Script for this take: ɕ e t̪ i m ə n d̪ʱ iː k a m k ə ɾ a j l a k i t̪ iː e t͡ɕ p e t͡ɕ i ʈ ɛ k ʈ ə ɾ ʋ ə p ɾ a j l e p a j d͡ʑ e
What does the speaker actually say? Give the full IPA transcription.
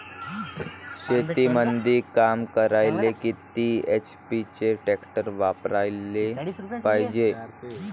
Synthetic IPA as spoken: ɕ e t̪ i m ə n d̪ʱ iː k a m k ə ɾ a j l e k i t̪ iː e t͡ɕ p i t͡ɕ e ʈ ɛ k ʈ ə ɾ ʋ a p ɾ a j l e p a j d͡ʑ e